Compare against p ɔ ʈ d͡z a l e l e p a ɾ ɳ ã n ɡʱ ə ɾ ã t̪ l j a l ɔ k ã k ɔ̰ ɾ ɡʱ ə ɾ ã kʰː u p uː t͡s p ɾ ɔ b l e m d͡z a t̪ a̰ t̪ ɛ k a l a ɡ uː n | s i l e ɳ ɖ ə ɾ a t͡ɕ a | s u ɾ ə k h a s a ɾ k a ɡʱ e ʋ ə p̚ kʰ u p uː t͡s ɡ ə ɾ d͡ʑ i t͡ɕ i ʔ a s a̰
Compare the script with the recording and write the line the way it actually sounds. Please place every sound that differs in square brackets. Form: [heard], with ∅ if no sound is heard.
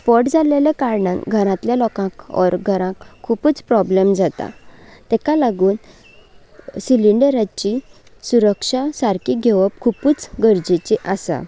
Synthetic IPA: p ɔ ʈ d͡z a l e l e [k] a ɾ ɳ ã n ɡʱ ə ɾ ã t̪ l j a l ɔ k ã k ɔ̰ ɾ ɡʱ ə ɾ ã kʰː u p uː t͡s p ɾ ɔ b l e m d͡z a t̪ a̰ t̪ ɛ k a l a ɡ uː n | s i l [i] ɳ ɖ ə ɾ a t͡ɕ [i] | s u ɾ ə k [ʂ] a s a ɾ k [i] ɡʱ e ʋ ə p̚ kʰ u p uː t͡s ɡ ə ɾ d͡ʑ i t͡ɕ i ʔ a s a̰